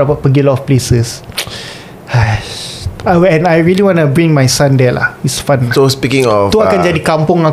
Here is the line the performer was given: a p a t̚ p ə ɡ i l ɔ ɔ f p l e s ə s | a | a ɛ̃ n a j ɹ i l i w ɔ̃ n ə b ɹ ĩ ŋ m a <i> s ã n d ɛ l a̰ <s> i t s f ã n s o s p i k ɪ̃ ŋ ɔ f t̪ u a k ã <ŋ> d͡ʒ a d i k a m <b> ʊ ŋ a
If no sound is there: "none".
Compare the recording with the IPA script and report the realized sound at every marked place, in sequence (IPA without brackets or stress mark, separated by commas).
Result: j, h, n, p